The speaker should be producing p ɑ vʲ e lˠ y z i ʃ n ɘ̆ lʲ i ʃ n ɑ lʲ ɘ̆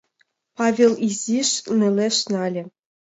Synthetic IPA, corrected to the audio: p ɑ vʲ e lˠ i z i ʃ n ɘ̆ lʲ e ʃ n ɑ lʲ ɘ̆